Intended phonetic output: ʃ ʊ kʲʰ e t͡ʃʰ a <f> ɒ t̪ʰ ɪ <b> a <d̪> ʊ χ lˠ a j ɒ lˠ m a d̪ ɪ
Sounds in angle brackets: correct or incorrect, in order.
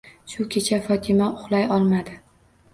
correct, incorrect, incorrect

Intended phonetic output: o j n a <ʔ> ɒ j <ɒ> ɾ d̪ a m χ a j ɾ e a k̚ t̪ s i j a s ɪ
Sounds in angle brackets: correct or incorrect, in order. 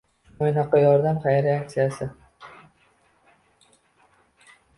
incorrect, correct

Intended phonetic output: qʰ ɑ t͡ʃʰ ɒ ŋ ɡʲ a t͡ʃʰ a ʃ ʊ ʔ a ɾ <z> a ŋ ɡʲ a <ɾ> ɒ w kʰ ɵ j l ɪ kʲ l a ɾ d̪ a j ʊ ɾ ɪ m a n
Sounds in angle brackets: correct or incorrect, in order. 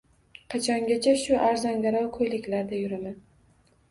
correct, correct

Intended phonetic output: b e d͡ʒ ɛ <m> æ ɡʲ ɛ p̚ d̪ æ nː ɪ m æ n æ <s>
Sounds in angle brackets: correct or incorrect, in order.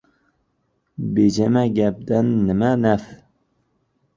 correct, incorrect

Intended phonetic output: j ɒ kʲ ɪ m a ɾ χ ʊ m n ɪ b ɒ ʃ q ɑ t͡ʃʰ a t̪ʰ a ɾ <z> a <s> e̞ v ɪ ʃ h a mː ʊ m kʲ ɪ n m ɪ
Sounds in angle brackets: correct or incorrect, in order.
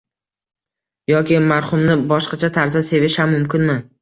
correct, correct

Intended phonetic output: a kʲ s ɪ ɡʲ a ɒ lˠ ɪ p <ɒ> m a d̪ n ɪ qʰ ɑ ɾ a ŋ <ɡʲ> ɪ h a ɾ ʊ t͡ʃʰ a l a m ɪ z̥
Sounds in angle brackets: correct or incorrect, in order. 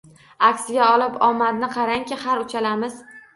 correct, incorrect

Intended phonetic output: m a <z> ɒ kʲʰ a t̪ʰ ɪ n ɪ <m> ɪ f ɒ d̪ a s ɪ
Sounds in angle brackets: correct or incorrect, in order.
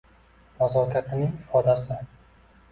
correct, incorrect

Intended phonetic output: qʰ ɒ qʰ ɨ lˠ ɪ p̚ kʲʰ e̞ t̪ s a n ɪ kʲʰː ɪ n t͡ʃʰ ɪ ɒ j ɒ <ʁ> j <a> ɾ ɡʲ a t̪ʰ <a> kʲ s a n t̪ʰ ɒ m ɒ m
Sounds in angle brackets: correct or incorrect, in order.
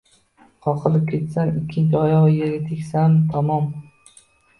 correct, incorrect, incorrect

